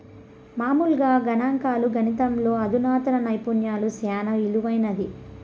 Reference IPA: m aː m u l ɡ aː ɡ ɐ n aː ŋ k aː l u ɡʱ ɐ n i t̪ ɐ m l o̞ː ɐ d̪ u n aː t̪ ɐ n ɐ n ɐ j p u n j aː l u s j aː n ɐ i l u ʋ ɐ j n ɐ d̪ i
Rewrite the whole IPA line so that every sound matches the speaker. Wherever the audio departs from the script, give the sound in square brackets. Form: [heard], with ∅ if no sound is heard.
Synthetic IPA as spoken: m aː m u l ɡ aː ɡ ɐ n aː ŋ k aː l u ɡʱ ɐ n i t̪ ɐ m l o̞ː ɐ d̪ u n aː t̪ ɐ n ɐ n ɐ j p u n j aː l u s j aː n ɐ i l u ʋ ɐ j n ɐ d̪ i